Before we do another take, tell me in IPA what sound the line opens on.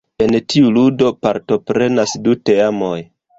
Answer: e̞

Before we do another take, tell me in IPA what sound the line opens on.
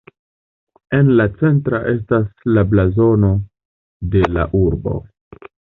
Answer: e̞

